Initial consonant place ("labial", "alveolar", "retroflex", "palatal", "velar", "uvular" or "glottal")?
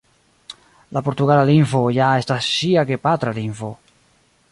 alveolar